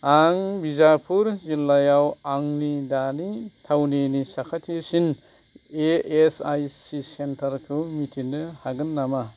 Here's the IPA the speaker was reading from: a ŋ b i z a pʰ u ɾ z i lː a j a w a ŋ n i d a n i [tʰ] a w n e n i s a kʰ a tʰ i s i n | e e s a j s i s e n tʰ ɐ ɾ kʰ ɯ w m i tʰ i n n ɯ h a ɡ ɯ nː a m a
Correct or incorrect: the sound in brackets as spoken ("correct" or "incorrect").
correct